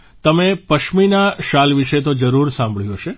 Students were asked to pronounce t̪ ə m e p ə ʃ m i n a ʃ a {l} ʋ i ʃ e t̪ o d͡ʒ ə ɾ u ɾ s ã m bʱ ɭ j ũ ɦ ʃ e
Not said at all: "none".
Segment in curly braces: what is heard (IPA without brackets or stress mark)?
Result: l